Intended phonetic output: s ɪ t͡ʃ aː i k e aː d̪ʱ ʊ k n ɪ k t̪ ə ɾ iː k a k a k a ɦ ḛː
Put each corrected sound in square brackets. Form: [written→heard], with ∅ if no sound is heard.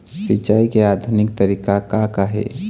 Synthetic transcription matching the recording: s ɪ t͡ʃ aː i k e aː d̪ʱ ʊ [k→∅] n ɪ k t̪ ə ɾ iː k a k a k a ɦ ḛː